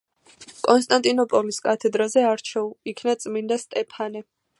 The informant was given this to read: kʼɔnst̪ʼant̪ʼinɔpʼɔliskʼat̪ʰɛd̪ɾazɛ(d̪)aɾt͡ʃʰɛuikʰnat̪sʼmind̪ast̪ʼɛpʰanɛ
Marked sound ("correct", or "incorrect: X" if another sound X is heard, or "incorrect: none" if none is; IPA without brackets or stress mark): incorrect: none